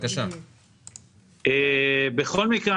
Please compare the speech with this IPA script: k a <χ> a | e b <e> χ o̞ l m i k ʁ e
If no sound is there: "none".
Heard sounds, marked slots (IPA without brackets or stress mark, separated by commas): ʃ, e